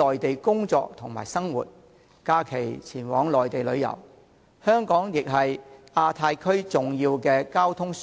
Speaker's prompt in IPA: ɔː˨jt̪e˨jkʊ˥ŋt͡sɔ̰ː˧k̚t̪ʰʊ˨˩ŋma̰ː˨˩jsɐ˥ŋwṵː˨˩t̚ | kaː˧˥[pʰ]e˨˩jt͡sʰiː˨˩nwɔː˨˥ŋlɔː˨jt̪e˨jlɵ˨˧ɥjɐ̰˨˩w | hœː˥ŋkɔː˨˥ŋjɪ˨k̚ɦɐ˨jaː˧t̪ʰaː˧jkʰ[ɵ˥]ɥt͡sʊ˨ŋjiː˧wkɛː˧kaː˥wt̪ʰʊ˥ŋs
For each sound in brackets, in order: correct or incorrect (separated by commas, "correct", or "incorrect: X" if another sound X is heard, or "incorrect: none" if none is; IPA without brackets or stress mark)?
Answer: incorrect: kʰ, correct